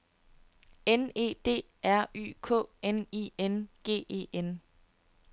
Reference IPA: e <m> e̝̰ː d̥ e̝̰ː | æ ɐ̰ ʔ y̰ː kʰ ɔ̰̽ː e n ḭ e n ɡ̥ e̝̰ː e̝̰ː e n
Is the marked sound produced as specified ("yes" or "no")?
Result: no